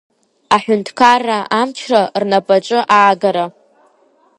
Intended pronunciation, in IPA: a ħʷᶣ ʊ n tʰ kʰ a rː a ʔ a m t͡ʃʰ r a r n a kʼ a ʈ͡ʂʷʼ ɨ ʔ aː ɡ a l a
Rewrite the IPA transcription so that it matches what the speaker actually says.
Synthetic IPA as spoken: a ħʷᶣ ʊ n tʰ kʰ a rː a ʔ a m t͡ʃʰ r a r n a pʼ a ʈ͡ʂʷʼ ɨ ʔ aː ɡ a ɾ a